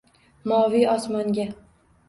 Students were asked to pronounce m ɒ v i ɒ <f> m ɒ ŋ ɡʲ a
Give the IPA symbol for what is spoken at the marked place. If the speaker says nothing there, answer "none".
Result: s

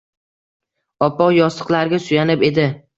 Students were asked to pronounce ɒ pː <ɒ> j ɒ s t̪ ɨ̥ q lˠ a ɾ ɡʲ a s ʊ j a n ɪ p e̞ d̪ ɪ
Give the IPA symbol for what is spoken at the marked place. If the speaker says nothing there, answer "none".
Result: ɒ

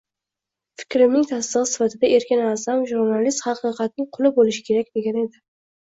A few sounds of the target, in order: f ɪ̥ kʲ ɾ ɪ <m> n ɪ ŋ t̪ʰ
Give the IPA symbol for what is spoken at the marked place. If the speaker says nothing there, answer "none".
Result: m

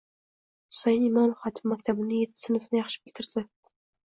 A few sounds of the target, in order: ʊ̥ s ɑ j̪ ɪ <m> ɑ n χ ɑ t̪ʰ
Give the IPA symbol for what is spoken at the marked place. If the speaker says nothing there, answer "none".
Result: m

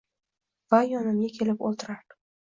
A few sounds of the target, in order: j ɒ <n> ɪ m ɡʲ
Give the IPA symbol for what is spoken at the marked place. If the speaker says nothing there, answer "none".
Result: n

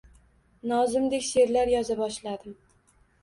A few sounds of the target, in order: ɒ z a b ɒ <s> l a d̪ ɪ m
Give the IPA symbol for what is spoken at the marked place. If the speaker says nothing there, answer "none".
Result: ʃ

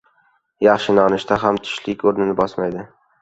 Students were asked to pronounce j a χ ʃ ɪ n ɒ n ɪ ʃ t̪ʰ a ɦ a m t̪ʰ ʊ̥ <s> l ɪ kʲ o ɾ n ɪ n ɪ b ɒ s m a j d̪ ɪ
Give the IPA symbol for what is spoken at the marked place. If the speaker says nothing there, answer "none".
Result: ʃ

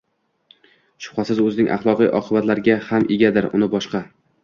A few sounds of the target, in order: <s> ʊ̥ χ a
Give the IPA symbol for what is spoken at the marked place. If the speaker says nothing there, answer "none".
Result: ʃ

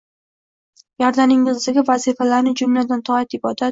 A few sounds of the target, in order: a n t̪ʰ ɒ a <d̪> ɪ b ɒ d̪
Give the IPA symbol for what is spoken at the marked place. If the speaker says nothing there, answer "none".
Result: t̪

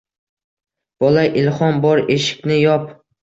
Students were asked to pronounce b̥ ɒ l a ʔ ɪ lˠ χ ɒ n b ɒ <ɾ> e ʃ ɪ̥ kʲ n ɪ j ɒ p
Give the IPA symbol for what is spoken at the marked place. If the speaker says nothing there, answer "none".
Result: ɾ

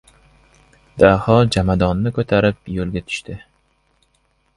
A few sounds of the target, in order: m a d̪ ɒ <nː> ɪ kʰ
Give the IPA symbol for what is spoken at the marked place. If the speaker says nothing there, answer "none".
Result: nː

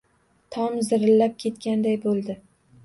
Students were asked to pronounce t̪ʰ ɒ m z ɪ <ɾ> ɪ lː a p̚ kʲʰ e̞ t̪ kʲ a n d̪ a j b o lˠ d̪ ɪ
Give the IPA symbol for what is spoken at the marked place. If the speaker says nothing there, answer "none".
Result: ɾ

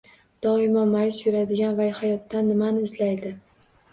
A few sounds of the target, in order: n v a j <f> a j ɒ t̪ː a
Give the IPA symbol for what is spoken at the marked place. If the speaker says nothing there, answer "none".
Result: h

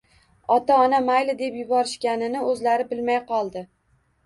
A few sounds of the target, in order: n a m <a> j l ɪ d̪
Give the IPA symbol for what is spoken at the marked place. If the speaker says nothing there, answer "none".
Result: a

